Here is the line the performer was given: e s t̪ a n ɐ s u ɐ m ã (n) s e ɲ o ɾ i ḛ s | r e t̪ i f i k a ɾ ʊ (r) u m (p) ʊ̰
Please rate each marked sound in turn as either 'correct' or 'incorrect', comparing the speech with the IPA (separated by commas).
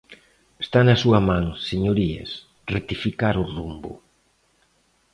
incorrect, correct, incorrect